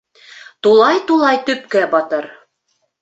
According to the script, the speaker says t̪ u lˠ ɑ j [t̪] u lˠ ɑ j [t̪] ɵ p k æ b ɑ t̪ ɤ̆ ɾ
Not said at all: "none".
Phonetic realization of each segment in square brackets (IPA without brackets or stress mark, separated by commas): t̪, t̪